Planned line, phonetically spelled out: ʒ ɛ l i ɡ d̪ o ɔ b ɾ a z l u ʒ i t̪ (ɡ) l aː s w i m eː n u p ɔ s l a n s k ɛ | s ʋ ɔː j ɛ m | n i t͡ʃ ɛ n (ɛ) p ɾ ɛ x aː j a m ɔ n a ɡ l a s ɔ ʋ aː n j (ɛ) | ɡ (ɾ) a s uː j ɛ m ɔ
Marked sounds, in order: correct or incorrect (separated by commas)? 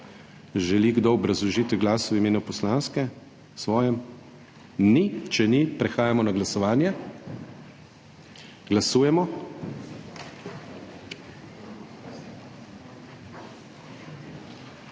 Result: correct, incorrect, correct, incorrect